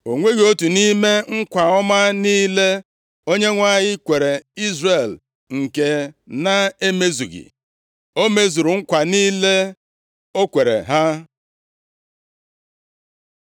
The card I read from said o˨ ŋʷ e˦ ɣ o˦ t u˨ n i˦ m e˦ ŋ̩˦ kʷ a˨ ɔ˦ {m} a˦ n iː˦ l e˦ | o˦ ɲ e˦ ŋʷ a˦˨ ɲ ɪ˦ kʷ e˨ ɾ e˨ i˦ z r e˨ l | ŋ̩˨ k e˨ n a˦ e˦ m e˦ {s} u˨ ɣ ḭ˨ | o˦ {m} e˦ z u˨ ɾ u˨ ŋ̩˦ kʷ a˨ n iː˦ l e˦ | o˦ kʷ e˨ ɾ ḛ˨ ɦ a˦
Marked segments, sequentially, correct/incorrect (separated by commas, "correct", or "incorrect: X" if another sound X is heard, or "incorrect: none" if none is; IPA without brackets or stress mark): correct, incorrect: z, correct